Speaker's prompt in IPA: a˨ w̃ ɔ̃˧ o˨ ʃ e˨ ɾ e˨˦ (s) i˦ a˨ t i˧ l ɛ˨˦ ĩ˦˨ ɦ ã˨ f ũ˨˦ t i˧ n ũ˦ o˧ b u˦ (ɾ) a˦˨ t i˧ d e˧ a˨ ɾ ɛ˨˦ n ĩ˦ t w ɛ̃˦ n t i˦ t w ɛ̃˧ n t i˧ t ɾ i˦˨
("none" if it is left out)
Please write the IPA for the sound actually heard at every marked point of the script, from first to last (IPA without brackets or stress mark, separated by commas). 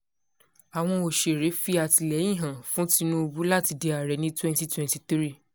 f, l